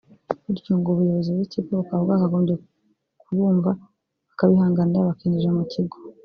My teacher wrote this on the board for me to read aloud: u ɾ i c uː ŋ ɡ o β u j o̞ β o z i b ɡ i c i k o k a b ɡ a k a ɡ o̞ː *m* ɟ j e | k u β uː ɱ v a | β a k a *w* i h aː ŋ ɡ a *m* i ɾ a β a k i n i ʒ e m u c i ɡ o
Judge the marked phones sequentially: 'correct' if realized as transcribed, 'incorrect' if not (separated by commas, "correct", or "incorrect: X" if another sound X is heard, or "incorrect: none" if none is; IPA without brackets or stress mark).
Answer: correct, incorrect: β, incorrect: n